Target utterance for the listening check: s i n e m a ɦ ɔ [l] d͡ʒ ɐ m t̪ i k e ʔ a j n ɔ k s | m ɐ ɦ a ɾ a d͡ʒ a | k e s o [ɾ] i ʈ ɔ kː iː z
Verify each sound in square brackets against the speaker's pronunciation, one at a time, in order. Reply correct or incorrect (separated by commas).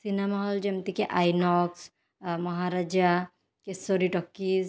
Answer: correct, correct